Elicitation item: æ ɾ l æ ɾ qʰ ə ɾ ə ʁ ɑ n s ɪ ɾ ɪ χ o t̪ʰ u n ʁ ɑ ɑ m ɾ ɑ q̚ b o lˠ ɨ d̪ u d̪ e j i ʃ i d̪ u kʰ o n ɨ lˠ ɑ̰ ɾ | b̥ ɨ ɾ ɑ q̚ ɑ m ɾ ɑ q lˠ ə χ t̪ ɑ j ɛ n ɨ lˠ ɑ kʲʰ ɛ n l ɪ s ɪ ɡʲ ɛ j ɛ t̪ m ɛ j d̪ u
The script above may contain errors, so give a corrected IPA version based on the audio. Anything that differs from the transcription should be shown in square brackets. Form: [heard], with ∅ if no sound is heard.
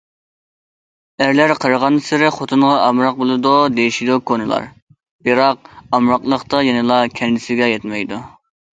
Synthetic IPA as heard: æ ɾ l æ ɾ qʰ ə ɾ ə ʁ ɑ n s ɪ ɾ ɪ χ o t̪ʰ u n ʁ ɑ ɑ m ɾ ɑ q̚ b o lˠ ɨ d̪ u d̪ e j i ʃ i d̪ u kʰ o n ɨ lˠ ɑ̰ ɾ | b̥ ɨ ɾ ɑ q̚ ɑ m ɾ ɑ q lˠ ə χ t̪ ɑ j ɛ n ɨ lˠ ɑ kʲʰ ɛ n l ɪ s ɪ ɡʲ ɛ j ɛ t̪ m ɛ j d̪ u